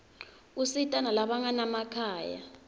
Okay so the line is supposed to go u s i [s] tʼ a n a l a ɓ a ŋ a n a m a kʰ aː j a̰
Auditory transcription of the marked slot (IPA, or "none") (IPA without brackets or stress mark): none